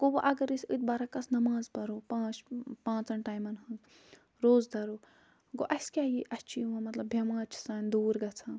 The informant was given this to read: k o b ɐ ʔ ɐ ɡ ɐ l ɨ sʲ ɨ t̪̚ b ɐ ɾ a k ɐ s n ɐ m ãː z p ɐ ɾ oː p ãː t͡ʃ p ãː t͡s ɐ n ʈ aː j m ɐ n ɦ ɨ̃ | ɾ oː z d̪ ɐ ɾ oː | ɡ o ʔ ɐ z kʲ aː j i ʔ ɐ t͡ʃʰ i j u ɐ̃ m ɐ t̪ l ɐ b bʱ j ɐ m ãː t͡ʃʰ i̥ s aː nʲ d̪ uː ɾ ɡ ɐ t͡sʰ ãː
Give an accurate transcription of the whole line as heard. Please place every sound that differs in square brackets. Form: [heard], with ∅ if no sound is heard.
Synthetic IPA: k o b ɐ ʔ ɐ ɡ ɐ [ɾ] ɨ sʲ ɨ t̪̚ b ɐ ɾ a k ɐ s n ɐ m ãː z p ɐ ɾ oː p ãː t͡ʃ p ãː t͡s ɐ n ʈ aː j m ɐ n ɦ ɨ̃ | ɾ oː z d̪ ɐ ɾ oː | ɡ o ʔ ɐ [s] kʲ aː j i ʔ ɐ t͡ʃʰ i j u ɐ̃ m ɐ t̪ l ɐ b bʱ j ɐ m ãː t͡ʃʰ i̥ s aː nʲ d̪ uː ɾ ɡ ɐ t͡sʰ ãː